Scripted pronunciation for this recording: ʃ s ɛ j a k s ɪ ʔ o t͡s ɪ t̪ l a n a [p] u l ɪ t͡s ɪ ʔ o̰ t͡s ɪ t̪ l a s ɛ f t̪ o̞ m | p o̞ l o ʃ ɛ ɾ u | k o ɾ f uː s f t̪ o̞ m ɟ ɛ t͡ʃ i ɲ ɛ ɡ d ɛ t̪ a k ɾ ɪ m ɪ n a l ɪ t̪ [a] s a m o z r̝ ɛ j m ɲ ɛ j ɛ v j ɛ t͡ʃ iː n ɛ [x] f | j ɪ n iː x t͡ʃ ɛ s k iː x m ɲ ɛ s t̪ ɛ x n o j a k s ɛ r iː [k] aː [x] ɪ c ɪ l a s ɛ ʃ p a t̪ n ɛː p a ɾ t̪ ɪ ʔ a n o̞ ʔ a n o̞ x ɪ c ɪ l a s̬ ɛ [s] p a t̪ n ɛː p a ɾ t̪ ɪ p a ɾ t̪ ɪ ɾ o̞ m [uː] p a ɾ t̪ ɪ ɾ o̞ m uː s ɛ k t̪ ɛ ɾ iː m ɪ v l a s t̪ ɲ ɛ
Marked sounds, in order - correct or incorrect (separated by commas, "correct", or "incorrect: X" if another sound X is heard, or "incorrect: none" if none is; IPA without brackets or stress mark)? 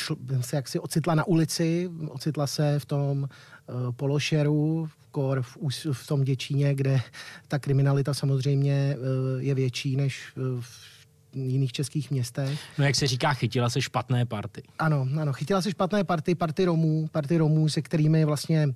incorrect: ʔ, correct, incorrect: ʃ, correct, correct, incorrect: ʃ, correct